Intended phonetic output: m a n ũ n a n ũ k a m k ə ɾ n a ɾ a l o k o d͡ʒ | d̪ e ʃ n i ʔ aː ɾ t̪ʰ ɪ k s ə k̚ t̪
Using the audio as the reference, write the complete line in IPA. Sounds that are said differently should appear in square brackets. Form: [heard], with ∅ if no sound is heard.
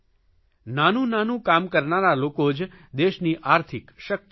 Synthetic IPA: [n] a n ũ n a n ũ k a m k ə ɾ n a ɾ a l o k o d͡ʒ | d̪ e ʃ n i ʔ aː ɾ t̪ʰ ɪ k [ʃ] ə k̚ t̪